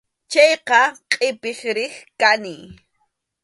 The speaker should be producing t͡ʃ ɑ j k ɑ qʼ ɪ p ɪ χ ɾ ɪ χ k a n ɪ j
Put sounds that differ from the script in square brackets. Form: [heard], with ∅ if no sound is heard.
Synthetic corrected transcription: t͡ʃ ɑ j [q] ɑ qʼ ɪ p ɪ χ ɾ ɪ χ k a n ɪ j